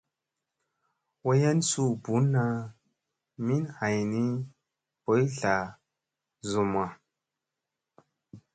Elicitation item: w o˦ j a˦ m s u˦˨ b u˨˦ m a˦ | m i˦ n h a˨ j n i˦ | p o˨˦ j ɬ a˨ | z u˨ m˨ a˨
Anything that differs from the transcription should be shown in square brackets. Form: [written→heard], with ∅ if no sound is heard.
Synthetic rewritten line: w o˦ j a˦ [m→n] s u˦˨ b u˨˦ [m→n] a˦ | m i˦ n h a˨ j n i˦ | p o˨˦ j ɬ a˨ | z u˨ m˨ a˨